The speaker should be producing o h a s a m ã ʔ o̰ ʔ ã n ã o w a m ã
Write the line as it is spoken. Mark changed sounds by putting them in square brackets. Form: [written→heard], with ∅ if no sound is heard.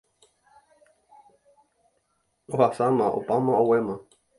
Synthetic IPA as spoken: o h a s a m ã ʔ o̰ [ʔ→p] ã [n→m] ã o w [a→e] m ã